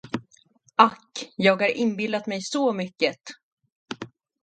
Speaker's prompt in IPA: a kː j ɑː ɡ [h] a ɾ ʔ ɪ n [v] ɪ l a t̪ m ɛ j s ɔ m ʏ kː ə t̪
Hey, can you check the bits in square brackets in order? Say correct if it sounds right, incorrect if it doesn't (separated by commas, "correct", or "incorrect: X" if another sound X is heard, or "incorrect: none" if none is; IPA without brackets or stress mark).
correct, incorrect: b